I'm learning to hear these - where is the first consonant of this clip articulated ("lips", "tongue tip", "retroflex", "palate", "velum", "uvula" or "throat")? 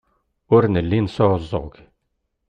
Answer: tongue tip